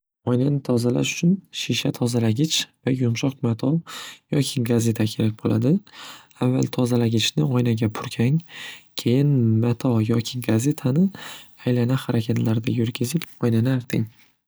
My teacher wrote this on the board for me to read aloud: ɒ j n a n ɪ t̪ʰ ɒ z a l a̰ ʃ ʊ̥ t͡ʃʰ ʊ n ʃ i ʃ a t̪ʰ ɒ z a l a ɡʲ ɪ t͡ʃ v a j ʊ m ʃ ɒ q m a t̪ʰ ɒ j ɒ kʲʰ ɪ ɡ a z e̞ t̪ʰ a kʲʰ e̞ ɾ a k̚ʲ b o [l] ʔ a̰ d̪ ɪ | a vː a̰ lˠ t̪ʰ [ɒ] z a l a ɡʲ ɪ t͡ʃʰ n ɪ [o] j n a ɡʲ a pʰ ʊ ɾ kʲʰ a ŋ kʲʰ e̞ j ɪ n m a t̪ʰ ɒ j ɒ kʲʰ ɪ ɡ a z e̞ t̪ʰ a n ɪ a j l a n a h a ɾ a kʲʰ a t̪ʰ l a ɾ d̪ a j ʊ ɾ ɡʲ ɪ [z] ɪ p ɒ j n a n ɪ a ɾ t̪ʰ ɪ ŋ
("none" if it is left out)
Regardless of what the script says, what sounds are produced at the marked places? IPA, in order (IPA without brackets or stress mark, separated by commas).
l, ɒ, ɒ, z